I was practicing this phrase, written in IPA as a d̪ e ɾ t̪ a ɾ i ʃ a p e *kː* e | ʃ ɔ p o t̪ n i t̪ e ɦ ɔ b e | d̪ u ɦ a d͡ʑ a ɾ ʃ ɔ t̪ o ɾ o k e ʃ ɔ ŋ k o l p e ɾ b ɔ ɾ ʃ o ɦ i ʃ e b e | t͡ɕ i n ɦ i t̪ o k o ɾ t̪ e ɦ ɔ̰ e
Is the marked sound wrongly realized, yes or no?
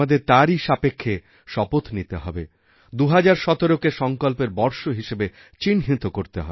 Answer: yes